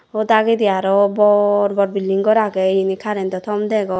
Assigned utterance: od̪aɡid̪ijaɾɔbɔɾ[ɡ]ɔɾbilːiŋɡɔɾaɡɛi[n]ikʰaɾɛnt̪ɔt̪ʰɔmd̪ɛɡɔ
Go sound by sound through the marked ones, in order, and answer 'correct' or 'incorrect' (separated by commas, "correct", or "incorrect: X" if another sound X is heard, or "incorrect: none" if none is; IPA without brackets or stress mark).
incorrect: b, correct